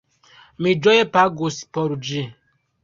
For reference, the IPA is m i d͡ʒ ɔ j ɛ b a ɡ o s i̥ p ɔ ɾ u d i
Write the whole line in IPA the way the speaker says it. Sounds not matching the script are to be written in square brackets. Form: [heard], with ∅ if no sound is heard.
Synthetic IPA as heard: m i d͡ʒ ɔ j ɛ [p] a ɡ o s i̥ p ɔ ɾ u [d͡ʒ] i